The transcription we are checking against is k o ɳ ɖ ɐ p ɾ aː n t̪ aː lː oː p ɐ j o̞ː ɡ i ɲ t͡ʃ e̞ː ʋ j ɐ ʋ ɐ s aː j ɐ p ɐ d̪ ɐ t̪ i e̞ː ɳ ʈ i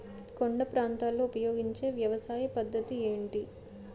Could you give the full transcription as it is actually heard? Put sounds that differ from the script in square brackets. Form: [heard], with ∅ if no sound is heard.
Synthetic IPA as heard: k o ɳ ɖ ɐ p ɾ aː n t̪ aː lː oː p ɐ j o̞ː ɡ i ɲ t͡ʃ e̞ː ʋ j ɐ ʋ ɐ s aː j ɐ p ɐ [d̪ː] ɐ t̪ i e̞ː ɳ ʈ i